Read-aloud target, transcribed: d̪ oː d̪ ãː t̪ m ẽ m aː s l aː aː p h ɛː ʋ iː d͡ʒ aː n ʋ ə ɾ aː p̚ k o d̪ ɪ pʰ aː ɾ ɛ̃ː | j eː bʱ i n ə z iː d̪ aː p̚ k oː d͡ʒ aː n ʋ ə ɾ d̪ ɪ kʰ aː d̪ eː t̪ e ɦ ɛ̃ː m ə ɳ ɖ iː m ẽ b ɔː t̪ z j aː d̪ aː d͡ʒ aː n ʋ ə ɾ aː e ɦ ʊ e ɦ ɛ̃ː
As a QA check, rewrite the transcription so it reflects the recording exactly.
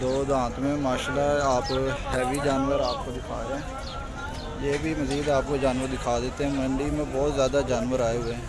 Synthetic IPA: d̪ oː d̪ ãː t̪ m ẽ m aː ʃ l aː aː p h ɛː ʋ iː d͡ʒ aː n ʋ ə ɾ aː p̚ k o d̪ ɪ kʰ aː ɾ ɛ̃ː | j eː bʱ i m ə z iː d̪ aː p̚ k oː d͡ʒ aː n ʋ ə ɾ d̪ ɪ kʰ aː d̪ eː t̪ e ɦ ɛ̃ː m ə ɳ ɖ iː m ẽ b ɔː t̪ z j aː d̪ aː d͡ʒ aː n ʋ ə ɾ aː e ɦ ʊ e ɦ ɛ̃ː